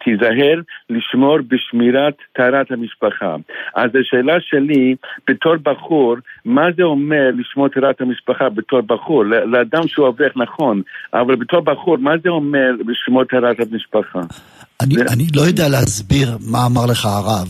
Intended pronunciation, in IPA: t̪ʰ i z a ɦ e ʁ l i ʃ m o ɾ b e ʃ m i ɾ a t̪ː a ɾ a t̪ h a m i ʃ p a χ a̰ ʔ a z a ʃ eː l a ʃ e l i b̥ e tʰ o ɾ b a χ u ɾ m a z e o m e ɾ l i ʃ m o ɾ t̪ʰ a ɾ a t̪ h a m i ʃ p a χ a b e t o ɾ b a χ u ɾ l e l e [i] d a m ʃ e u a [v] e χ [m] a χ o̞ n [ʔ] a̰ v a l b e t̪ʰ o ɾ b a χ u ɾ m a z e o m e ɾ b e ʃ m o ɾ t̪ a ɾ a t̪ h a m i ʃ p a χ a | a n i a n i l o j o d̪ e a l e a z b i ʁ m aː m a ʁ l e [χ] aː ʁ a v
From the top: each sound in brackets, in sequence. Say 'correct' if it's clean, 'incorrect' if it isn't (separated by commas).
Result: incorrect, correct, incorrect, correct, correct